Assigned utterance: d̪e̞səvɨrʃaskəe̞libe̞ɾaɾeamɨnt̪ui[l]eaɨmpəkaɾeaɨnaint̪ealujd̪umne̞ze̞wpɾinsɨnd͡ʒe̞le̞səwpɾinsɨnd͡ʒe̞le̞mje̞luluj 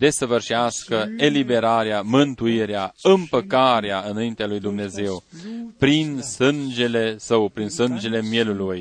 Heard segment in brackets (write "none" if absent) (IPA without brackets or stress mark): ɾ